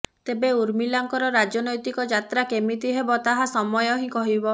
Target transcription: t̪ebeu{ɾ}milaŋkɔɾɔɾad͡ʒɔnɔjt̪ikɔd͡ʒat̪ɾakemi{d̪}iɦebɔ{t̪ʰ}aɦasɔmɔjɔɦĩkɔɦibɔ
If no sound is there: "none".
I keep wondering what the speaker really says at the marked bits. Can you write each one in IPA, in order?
ɾ, t̪, t̪

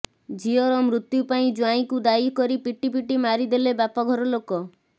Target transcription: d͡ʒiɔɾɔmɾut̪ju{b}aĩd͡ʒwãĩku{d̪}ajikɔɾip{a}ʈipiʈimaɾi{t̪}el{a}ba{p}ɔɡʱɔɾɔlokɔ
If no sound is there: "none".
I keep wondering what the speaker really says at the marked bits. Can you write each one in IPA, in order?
p, d̪, i, d̪, e, p

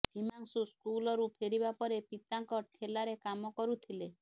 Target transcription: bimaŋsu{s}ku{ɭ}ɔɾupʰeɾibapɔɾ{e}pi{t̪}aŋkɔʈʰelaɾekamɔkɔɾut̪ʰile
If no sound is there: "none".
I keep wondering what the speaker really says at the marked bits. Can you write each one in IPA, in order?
s, l, e, t̪

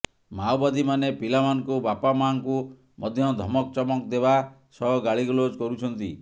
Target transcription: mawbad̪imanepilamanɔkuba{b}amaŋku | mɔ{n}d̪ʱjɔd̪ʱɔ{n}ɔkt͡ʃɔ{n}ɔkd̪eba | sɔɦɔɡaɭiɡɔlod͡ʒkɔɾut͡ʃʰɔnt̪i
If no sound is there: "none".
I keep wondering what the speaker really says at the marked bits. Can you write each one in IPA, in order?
p, none, m, m

